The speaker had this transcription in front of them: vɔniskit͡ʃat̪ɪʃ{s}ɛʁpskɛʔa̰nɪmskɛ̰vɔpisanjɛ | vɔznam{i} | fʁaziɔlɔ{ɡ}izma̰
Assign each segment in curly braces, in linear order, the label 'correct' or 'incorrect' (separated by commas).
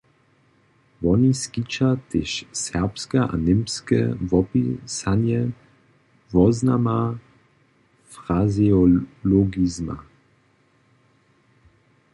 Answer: correct, incorrect, correct